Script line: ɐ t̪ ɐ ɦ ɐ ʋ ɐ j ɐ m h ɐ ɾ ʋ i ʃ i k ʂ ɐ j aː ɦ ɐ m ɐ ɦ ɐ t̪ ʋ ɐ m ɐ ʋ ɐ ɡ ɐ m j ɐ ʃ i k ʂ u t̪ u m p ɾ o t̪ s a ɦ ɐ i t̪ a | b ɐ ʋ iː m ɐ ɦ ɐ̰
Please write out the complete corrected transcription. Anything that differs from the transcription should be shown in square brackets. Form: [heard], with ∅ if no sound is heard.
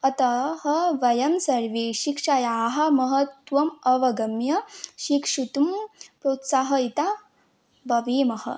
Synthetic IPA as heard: ɐ t̪ ɐ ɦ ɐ ʋ ɐ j ɐ m [s] ɐ ɾ ʋ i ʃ i k ʂ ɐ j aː ɦ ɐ m ɐ ɦ ɐ t̪ ʋ ɐ m ɐ ʋ ɐ ɡ ɐ m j ɐ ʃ i k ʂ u t̪ u m p ɾ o t̪ s a ɦ ɐ i t̪ a | b ɐ ʋ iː m ɐ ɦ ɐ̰